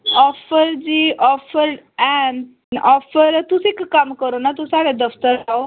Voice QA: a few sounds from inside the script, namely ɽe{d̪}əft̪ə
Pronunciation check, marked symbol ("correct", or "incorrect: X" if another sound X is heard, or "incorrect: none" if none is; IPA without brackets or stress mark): correct